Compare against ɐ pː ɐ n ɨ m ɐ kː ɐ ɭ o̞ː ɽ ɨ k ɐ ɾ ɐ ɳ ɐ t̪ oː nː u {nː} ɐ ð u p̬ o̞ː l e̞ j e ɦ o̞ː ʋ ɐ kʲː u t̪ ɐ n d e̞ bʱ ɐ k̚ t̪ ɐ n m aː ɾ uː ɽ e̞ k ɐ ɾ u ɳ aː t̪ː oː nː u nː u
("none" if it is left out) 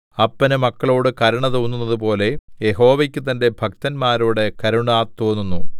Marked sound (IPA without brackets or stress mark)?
nː